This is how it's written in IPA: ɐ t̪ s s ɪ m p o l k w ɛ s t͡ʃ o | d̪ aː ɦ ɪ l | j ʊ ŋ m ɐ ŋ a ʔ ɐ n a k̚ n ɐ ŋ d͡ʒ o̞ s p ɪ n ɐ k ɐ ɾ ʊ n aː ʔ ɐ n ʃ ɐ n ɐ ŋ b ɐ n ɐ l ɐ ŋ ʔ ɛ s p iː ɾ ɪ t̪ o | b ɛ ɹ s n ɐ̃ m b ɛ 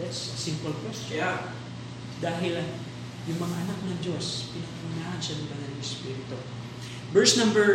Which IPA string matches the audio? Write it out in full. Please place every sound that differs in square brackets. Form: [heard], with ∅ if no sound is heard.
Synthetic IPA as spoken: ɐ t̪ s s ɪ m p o l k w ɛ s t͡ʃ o | d̪ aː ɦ ɪ l | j ʊ ŋ m ɐ ŋ a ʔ ɐ n a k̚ n ɐ ŋ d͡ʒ o̞ s p ɪ n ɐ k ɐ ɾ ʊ n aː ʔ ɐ n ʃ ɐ n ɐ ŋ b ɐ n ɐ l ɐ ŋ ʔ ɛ s p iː ɾ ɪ t̪ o | b ɛ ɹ s n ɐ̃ m b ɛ